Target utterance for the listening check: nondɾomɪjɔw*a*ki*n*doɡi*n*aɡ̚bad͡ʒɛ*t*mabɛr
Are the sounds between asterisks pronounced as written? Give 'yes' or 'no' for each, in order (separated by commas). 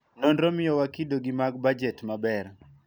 yes, no, no, yes